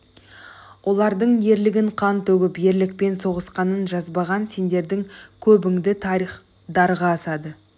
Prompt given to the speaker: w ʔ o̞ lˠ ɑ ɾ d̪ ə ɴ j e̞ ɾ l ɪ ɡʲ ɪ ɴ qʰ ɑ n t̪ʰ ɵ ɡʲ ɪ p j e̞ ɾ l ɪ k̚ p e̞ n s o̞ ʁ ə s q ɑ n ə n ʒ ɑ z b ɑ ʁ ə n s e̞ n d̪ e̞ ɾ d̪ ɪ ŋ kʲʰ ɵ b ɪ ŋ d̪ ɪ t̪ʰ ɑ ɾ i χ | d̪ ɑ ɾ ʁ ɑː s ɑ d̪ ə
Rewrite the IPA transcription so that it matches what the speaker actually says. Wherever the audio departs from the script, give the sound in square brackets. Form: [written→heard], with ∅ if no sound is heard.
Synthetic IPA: w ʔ o̞ lˠ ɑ ɾ d̪ ə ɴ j e̞ ɾ l ɪ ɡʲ ɪ ɴ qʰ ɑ n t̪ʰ ɵ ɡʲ ɪ p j e̞ ɾ l ɪ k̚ p e̞ n s o̞ ʁ ə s q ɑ n ə n ʒ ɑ z b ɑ ʁ [ə→ɑ] n s e̞ n d̪ e̞ ɾ d̪ ɪ ŋ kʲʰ ɵ b ɪ ŋ d̪ ɪ t̪ʰ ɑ ɾ i χ | d̪ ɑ ɾ ʁ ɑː s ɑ d̪ ə